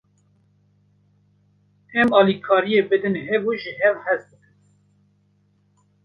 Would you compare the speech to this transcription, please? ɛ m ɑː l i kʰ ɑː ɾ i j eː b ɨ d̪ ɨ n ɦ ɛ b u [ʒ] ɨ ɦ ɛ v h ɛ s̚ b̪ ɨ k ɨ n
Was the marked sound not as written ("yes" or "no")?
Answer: no